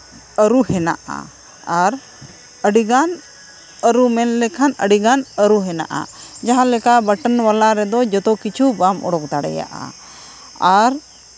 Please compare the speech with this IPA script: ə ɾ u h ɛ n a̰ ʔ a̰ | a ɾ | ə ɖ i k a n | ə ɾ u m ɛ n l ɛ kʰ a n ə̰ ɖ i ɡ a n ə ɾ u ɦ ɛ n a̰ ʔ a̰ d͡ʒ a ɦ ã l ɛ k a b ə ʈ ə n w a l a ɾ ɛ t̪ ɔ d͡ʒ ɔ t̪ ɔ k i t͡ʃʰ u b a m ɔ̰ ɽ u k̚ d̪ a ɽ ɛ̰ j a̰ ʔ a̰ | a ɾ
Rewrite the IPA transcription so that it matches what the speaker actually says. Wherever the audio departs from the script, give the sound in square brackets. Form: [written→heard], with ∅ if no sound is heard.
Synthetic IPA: ə ɾ u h ɛ n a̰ ʔ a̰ | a ɾ | ə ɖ i [k→ɡ] a n | ə ɾ u m ɛ n l ɛ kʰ a n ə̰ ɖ i ɡ a n ə ɾ u ɦ ɛ n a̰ ʔ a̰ d͡ʒ a ɦ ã l ɛ k a b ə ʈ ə n w a l a ɾ ɛ [t̪→d̪] ɔ d͡ʒ ɔ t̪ ɔ k i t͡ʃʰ u b a m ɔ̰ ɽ [u→ɔ] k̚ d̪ a ɽ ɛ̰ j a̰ ʔ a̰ | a ɾ

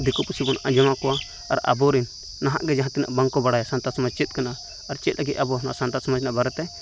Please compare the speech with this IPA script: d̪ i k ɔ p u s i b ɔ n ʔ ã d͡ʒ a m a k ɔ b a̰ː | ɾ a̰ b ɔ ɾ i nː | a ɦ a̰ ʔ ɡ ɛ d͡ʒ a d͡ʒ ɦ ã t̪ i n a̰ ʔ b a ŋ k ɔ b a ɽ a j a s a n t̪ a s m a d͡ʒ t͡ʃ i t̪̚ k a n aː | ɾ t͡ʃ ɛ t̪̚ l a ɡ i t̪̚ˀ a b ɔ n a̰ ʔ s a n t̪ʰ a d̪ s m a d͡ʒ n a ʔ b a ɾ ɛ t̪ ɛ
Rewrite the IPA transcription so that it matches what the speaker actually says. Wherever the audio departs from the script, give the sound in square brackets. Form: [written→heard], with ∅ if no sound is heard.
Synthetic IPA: d̪ i k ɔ p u s i b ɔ n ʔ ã d͡ʒ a m a k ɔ [b→w] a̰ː | ɾ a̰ b ɔ ɾ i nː | a ɦ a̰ ʔ ɡ ɛ d͡ʒ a [d͡ʒ→∅] ɦ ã t̪ i n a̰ ʔ b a ŋ k ɔ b a ɽ a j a s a n t̪ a s m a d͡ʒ t͡ʃ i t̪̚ k a n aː | ɾ t͡ʃ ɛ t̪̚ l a ɡ i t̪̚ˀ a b ɔ n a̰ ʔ s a n [t̪ʰ→t̪] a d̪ s m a d͡ʒ n a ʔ b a ɾ ɛ t̪ ɛ

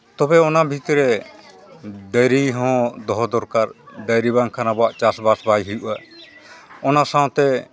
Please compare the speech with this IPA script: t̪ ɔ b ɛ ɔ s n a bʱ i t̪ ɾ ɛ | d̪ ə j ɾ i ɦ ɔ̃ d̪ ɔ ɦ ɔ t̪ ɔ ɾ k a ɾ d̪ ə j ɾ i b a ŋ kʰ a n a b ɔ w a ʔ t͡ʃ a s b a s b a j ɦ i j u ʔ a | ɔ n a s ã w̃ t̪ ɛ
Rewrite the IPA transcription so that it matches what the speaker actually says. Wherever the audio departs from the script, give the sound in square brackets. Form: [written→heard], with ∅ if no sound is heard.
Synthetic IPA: t̪ ɔ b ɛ ɔ [s→∅] n a bʱ i t̪ ɾ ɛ | d̪ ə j ɾ i ɦ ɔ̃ d̪ ɔ ɦ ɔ [t̪→d̪] ɔ ɾ k a ɾ d̪ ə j ɾ i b a ŋ kʰ a n a b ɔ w a ʔ t͡ʃ a s b a s b a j ɦ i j u ʔ a | ɔ n a s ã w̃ t̪ ɛ

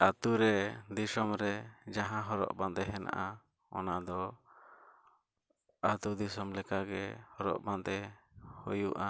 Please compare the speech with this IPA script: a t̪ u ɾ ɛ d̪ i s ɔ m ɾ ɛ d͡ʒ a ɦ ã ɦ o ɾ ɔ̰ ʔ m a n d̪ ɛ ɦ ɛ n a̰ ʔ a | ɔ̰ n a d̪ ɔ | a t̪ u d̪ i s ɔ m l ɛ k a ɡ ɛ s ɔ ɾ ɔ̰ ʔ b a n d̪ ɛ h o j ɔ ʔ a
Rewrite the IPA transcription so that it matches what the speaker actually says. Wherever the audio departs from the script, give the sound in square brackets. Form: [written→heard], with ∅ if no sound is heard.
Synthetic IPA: a t̪ u ɾ ɛ d̪ i s ɔ m ɾ ɛ d͡ʒ a ɦ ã ɦ [o→ɔ] ɾ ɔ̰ ʔ [m→b] a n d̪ ɛ ɦ ɛ n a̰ ʔ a | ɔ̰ n a d̪ ɔ | a t̪ u d̪ i s ɔ m l ɛ k a ɡ ɛ [s→h] ɔ ɾ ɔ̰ ʔ b a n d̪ ɛ h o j [ɔ→u] ʔ a

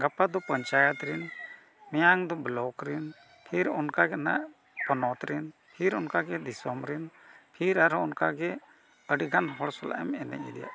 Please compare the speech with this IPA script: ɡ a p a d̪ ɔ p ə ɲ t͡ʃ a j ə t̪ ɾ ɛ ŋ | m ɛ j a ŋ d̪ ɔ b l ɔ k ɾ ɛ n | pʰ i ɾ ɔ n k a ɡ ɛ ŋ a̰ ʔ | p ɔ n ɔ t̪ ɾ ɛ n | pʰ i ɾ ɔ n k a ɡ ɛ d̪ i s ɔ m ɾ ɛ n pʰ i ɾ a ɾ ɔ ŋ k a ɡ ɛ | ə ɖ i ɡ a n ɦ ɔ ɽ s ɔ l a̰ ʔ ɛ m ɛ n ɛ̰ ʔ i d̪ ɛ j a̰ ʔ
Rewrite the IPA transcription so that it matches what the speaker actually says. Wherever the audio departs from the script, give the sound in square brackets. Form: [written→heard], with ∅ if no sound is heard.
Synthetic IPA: ɡ a p a d̪ ɔ p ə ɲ t͡ʃ a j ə t̪ ɾ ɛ [ŋ→n] | m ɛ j a ŋ d̪ ɔ b l ɔ k ɾ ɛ n | pʰ i ɾ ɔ n k a ɡ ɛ [ŋ→n] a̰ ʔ | p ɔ n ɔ t̪ ɾ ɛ n | pʰ i ɾ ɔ n k a ɡ ɛ d̪ i s ɔ m ɾ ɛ n pʰ i ɾ a ɾ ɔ [ŋ→n] k a ɡ ɛ | ə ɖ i ɡ a n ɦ ɔ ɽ s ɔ l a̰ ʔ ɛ m ɛ n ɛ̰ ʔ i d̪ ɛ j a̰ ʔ

